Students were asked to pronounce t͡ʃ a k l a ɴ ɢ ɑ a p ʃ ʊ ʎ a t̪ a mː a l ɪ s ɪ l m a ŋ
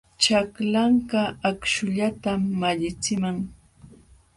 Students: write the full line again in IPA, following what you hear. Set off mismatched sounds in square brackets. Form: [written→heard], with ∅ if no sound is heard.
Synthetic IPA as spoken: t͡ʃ a k l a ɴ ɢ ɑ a [p→k] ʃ ʊ ʎ a t̪ a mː a [l→ʎ] ɪ [s→t͡s] ɪ [l→∅] m a ŋ